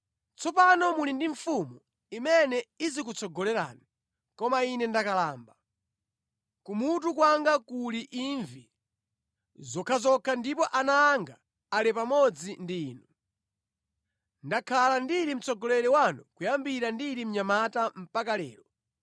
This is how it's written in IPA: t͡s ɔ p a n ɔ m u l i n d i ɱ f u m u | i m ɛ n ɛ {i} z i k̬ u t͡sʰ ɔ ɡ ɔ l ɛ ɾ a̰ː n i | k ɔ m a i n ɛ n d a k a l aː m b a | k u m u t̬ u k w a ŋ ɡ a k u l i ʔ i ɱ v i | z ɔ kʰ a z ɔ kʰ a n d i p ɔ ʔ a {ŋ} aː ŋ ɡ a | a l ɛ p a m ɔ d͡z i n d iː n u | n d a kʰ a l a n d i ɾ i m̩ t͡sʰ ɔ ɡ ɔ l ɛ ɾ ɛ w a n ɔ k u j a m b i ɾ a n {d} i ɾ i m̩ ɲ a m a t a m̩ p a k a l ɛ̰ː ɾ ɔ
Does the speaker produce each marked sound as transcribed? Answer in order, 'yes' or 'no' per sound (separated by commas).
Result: yes, no, yes